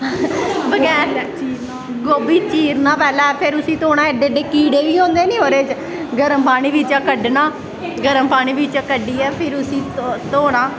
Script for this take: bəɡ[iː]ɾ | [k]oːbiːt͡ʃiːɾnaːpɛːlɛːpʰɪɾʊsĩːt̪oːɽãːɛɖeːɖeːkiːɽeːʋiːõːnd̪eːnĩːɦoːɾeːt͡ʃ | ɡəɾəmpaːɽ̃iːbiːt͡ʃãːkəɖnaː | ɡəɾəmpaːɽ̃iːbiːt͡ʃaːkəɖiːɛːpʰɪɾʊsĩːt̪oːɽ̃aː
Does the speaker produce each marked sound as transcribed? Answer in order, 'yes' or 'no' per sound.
no, no

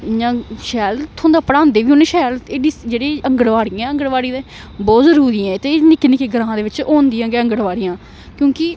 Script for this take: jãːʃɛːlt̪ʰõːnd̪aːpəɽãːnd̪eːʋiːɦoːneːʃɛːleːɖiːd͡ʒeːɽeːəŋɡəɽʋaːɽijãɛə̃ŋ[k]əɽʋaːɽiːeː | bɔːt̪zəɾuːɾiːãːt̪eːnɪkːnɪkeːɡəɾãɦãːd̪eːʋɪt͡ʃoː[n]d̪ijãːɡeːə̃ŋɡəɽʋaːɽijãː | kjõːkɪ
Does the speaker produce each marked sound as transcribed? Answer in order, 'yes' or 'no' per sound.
no, yes

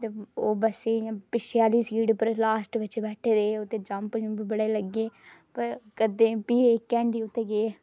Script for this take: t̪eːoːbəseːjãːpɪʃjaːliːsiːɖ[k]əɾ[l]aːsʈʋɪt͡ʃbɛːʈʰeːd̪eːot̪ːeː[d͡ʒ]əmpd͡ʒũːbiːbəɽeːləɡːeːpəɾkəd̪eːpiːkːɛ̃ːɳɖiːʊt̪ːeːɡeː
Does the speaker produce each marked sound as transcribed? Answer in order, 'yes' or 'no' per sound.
no, yes, yes

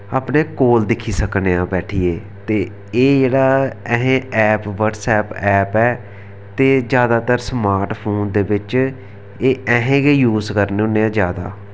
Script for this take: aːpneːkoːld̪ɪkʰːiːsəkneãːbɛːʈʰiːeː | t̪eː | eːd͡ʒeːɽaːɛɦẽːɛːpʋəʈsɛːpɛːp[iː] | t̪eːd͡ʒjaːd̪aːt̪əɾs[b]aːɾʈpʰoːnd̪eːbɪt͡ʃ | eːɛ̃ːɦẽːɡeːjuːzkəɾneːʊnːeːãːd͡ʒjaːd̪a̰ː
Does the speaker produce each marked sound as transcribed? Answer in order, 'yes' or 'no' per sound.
no, no

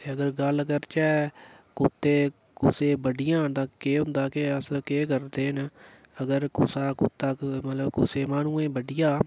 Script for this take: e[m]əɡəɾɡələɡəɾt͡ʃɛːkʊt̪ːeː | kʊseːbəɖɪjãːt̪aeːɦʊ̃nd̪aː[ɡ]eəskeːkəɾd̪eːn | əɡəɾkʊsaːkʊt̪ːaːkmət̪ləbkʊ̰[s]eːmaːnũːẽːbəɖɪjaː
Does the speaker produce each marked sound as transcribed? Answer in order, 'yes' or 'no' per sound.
no, no, yes

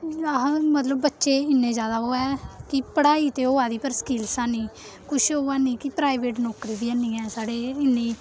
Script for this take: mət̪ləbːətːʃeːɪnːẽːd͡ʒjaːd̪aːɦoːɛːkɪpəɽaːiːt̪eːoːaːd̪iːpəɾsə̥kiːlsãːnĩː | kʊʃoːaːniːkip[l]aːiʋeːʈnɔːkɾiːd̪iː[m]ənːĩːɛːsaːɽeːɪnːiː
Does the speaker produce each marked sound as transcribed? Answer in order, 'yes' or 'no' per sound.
no, no

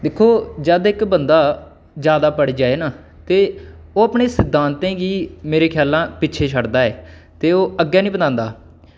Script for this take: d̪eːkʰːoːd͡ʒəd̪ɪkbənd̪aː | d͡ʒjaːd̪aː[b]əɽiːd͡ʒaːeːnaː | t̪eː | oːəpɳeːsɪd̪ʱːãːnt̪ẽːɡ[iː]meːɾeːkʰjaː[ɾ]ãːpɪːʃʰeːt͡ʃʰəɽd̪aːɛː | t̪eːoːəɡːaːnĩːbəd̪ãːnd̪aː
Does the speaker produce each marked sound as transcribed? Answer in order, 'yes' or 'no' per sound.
no, yes, no

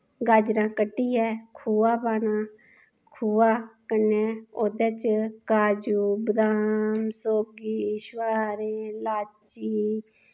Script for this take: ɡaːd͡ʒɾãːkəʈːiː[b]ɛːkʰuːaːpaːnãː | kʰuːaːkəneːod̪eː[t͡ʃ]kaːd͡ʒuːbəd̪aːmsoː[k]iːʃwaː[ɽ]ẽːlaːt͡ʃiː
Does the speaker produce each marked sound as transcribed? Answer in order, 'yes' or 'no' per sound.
no, yes, no, no

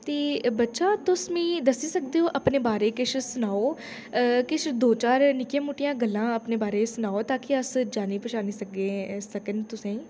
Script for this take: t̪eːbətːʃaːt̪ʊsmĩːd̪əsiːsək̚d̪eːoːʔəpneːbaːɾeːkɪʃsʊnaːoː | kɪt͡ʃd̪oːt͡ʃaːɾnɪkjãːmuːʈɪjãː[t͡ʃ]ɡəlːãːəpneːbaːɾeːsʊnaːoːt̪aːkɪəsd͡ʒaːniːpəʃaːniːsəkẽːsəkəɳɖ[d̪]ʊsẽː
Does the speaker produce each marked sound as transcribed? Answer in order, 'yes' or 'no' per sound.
no, no

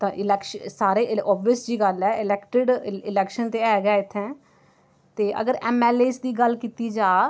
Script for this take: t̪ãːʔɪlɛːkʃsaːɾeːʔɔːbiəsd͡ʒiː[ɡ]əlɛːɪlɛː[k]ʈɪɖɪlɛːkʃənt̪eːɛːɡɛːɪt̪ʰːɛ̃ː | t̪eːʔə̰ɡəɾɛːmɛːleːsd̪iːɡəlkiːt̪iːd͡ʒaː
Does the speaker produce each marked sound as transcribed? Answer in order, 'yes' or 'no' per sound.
yes, yes

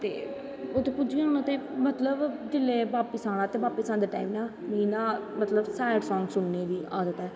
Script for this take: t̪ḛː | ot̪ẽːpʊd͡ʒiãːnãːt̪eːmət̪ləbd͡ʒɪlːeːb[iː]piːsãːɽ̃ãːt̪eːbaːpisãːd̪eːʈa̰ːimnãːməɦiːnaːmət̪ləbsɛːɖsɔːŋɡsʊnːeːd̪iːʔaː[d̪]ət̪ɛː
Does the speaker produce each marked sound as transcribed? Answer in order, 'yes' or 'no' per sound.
no, yes

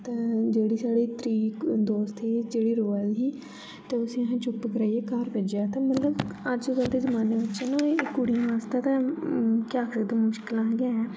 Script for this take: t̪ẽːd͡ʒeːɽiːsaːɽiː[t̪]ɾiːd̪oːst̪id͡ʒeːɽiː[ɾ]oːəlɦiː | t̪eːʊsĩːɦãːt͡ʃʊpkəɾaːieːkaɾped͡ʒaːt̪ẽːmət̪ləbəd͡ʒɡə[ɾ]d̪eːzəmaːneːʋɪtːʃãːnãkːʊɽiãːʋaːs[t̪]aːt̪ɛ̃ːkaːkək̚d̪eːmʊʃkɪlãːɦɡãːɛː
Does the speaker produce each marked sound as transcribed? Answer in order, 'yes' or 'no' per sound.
yes, yes, no, yes

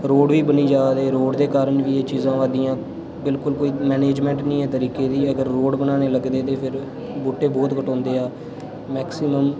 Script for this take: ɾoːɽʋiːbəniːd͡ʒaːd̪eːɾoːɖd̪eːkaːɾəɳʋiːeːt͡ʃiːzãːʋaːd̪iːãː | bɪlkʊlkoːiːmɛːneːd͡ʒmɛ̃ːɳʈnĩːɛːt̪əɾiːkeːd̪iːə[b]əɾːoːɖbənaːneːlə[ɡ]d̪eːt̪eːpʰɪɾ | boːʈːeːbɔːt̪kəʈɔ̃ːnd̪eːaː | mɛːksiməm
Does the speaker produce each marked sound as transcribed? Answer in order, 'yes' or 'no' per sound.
no, yes

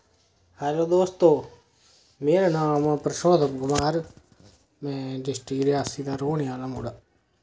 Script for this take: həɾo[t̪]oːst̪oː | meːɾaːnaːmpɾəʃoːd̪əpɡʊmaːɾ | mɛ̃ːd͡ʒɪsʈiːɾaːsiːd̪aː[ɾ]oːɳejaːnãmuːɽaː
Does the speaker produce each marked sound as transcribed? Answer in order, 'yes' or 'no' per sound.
no, yes

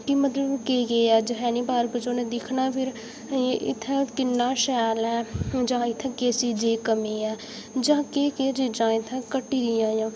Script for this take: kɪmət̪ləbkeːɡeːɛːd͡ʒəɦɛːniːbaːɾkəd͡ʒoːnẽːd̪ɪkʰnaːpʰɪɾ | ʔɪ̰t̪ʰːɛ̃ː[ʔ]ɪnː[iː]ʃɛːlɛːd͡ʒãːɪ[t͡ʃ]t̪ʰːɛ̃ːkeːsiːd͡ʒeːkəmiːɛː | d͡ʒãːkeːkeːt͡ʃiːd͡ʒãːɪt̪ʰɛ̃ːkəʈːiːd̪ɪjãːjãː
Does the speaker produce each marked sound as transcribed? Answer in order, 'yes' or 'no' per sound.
no, no, no

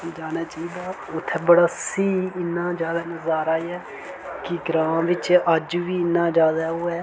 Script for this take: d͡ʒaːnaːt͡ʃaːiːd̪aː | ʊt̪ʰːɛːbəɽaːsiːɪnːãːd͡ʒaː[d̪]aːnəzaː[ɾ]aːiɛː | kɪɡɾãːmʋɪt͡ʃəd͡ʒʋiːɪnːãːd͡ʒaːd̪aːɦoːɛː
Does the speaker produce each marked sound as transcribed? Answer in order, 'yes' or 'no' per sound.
yes, yes

